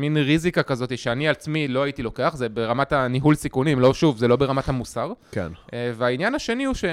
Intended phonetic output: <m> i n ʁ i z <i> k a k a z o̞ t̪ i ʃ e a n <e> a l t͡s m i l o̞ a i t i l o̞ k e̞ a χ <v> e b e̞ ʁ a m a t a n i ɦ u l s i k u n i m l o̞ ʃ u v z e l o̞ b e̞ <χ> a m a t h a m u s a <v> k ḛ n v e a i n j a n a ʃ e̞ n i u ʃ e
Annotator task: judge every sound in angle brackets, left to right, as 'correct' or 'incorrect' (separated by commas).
correct, correct, incorrect, incorrect, incorrect, incorrect